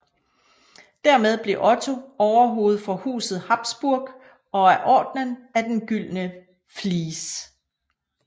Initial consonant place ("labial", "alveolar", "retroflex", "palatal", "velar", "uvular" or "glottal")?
alveolar